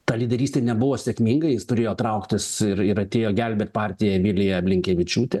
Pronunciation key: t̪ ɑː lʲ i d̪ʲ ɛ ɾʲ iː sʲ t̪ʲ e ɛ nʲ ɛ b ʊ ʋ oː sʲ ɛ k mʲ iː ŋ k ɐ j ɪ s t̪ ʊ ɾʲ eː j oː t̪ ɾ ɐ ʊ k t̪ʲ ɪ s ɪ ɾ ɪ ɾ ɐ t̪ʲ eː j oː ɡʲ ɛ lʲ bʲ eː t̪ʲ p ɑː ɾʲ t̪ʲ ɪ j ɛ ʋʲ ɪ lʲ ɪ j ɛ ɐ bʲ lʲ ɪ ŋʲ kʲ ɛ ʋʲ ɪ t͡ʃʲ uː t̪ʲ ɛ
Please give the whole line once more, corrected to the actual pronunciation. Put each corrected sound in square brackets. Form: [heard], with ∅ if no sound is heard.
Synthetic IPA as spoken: t̪ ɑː lʲ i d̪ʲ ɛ ɾʲ iː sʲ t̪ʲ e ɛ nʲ ɛ b ʊ ʋ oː sʲ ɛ k mʲ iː ŋ [ɡ] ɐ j ɪ s t̪ ʊ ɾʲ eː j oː t̪ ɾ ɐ ʊ k t̪ʲ ɪ s ɪ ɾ ɪ ɾ ɐ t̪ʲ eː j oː ɡʲ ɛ lʲ bʲ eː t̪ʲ p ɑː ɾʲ t̪ʲ ɪ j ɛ ʋʲ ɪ lʲ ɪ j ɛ ɐ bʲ lʲ ɪ ŋʲ kʲ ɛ ʋʲ ɪ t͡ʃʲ uː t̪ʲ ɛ